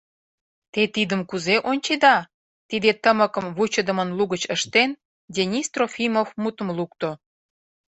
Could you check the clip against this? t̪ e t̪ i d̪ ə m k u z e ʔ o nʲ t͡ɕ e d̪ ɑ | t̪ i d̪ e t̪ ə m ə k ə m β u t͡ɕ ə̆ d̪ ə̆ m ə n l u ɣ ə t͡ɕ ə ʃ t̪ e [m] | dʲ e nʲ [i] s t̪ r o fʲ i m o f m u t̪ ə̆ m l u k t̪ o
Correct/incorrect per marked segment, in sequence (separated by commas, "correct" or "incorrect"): incorrect, correct